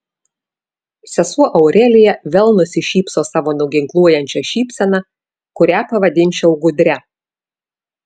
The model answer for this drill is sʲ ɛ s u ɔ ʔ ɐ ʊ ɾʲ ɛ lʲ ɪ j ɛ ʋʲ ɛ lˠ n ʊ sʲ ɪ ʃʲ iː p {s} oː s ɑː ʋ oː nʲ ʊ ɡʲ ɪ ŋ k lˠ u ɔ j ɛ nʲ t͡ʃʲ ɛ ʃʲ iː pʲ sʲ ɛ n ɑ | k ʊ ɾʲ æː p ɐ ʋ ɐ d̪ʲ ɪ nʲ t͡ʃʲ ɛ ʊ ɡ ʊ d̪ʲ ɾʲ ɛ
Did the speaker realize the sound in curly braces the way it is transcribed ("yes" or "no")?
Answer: yes